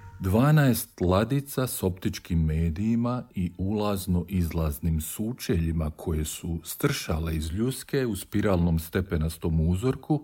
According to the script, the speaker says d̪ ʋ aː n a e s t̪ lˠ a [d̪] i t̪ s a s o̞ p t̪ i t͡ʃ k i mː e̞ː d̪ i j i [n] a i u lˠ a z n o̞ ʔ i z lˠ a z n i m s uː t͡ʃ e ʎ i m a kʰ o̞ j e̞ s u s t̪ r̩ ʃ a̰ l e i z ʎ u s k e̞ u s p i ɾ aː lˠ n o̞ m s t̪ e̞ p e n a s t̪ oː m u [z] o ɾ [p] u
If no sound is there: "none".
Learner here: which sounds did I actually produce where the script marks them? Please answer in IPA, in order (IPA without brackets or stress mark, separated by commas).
d̪, m, z, k